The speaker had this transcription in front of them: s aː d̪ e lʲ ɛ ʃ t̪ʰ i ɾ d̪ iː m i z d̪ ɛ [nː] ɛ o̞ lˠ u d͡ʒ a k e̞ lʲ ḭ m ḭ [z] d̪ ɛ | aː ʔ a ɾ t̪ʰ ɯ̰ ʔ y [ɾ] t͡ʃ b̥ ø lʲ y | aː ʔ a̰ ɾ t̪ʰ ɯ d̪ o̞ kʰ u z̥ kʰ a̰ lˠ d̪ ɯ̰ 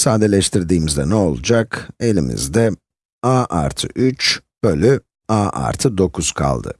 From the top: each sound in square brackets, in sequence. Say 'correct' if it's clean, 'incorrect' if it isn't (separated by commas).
incorrect, correct, incorrect